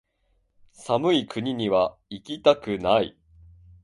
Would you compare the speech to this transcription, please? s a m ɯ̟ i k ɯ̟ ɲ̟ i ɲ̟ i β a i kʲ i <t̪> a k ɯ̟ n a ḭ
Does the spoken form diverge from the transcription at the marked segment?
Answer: no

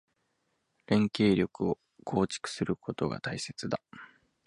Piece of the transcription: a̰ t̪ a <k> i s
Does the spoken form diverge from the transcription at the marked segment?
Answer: yes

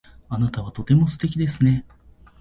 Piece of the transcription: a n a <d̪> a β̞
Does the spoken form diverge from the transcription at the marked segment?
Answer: yes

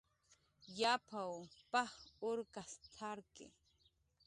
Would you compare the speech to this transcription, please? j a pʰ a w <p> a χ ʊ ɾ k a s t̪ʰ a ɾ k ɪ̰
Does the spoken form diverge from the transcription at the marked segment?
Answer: no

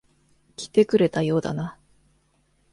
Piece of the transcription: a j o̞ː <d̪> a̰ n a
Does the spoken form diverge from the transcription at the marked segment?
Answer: no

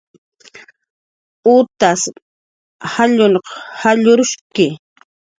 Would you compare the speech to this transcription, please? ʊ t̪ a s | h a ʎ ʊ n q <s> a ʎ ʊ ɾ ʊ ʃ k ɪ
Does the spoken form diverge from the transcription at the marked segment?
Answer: yes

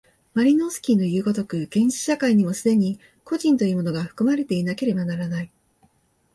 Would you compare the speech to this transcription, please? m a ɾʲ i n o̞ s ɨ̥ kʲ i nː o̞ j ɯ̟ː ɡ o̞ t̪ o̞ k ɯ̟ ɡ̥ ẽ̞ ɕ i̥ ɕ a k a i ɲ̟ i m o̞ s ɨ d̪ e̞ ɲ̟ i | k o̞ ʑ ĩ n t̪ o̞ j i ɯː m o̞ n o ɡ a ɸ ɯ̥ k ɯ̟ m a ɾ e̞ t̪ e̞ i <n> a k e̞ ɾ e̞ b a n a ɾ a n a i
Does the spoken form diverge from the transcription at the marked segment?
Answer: no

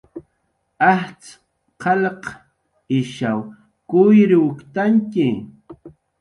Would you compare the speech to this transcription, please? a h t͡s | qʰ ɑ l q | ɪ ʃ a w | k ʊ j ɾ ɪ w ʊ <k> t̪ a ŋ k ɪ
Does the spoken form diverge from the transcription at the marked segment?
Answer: no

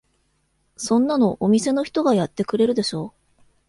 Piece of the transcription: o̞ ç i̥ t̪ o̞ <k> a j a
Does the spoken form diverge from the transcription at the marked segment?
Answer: yes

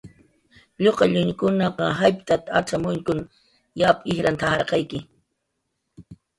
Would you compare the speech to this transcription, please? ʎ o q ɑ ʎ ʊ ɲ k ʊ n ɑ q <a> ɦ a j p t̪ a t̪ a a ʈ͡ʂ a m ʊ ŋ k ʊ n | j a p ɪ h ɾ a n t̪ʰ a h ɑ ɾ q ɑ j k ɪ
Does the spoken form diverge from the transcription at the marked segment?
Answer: yes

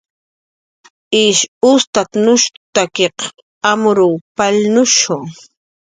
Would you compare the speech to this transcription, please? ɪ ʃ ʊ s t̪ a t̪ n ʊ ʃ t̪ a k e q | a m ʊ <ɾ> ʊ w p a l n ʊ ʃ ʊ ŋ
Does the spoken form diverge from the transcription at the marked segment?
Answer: no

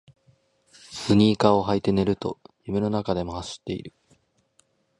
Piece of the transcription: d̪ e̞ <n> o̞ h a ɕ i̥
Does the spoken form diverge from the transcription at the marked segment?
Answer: yes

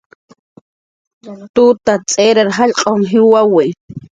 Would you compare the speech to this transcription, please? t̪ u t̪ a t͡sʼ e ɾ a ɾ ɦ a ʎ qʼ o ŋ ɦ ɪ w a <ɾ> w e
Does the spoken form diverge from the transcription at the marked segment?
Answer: yes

